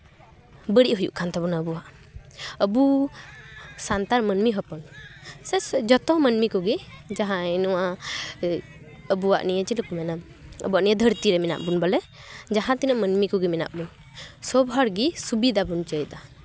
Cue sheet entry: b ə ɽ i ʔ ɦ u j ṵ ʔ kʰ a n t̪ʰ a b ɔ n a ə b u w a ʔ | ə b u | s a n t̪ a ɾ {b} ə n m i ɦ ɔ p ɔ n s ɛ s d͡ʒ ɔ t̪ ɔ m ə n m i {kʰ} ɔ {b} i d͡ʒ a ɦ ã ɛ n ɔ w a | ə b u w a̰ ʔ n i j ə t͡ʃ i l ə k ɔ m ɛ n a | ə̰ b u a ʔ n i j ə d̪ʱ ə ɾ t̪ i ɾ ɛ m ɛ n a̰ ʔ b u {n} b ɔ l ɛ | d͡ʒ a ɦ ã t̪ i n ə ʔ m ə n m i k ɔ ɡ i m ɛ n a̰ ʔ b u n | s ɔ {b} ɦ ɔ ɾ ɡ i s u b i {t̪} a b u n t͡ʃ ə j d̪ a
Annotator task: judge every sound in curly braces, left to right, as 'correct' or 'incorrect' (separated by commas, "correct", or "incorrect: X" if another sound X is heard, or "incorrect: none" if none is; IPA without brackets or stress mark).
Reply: incorrect: m, incorrect: k, incorrect: ɡ, correct, correct, incorrect: d̪